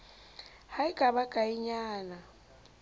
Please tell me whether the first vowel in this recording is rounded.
no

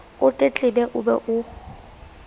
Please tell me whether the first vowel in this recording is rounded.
yes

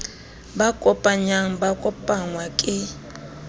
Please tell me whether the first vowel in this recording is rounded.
no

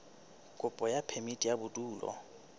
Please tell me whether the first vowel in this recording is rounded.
yes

